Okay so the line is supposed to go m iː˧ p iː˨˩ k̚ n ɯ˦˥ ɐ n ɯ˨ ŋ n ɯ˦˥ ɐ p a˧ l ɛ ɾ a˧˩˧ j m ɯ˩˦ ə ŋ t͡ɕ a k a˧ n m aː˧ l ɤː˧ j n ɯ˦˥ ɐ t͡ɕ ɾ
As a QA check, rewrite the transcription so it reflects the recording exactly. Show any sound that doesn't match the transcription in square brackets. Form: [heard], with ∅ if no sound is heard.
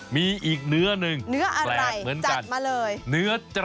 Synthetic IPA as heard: m iː˧ [ʔ] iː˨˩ k̚ n ɯ˦˥ ɐ n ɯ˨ ŋ n ɯ˦˥ ɐ [ʔ] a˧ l ɛ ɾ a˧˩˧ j m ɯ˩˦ ə [n] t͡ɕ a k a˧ n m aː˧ l ɤː˧ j n ɯ˦˥ ɐ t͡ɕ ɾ